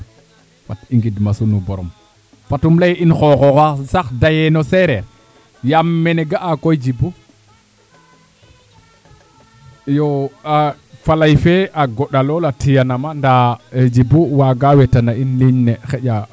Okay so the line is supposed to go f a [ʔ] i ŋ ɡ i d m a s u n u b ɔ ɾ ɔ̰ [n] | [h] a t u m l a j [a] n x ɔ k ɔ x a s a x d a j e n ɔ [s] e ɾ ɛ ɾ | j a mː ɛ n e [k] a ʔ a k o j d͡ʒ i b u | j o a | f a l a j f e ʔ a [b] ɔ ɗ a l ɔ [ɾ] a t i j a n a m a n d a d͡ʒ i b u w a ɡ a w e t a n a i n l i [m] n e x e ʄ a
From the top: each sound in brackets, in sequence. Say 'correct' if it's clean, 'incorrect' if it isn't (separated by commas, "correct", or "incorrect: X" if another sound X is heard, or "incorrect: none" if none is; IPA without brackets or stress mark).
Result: incorrect: t, incorrect: m, incorrect: f, incorrect: i, correct, incorrect: ɡ, incorrect: ɡ, incorrect: l, incorrect: ɲ